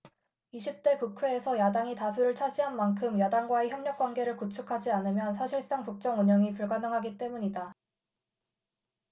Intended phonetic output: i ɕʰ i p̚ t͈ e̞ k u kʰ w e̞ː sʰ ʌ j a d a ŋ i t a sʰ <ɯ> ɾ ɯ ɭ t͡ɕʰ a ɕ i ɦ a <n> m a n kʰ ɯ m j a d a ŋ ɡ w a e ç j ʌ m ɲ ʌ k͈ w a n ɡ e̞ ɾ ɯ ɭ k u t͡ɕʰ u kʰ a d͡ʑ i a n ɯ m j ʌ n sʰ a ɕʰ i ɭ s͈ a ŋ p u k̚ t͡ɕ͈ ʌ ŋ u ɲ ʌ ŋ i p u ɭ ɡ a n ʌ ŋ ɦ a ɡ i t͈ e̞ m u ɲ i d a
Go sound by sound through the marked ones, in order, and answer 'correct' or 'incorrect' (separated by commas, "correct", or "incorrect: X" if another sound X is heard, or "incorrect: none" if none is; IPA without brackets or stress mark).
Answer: incorrect: u, correct